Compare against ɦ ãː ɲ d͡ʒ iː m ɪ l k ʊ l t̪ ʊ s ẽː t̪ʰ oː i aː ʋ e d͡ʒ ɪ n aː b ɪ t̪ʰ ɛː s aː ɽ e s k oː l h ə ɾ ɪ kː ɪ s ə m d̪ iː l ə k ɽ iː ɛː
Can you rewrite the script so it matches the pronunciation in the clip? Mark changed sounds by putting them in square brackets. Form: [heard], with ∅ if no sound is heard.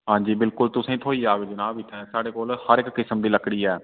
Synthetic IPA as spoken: ɦ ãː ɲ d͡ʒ iː [b] ɪ l k ʊ l t̪ ʊ s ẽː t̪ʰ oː i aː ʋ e d͡ʒ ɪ n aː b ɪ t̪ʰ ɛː s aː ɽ e [∅] k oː l h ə ɾ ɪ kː ɪ s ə m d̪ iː l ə k ɽ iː ɛː